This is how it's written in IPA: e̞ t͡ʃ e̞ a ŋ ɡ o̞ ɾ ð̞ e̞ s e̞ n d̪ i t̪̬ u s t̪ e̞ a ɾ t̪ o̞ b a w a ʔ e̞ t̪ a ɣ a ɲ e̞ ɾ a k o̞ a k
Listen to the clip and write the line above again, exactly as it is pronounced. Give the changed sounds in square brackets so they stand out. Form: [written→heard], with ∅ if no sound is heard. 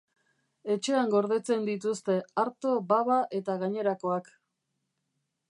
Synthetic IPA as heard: e̞ t͡ʃ e̞ a ŋ ɡ o̞ ɾ ð̞ e̞ [s→t͡s] e̞ n d̪ i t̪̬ u s t̪ e̞ a ɾ t̪ o̞ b a [w→β] a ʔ e̞ t̪ a ɣ a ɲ e̞ ɾ a k o̞ a k